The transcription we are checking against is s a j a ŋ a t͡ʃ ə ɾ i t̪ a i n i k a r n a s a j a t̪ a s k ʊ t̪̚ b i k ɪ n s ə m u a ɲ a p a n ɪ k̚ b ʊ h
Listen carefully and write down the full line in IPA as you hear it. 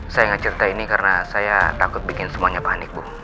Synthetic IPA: s a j a ŋ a t͡ʃ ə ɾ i t̪ a i n i k a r n a s a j a t̪ a k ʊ t̪̚ b i k ɪ n s ə m u a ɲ a p a n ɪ k̚ b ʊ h